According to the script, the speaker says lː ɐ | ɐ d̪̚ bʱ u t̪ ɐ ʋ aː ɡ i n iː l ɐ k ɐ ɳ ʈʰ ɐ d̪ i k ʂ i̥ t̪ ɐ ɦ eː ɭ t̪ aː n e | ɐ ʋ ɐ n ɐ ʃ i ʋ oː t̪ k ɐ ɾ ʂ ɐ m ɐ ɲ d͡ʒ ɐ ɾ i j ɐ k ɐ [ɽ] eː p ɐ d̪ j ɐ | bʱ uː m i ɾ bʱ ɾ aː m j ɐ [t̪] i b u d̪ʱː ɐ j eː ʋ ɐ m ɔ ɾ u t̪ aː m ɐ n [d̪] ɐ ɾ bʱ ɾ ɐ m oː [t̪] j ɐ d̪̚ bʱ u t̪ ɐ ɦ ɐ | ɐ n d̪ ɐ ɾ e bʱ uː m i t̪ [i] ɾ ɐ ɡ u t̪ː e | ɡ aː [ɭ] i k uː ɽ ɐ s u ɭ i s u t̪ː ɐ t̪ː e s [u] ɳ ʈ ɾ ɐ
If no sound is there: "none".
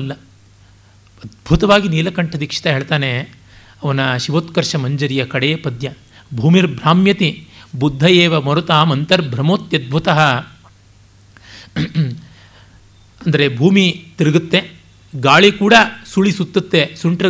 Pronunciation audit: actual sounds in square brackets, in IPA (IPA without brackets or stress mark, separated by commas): ɽ, t̪, t̪, t̪, i, ɭ, u